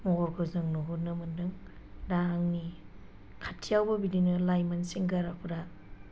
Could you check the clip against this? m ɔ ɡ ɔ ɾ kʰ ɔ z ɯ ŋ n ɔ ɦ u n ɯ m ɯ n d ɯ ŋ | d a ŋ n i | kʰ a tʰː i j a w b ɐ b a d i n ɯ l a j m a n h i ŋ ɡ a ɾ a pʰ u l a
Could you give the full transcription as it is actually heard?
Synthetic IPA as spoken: m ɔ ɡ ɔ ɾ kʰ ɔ z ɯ ŋ n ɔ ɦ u n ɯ m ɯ n d ɯ ŋ | d a ŋ n i | kʰ a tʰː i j a w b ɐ b i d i n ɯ l a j m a n s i ŋ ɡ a ɾ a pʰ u ɾ a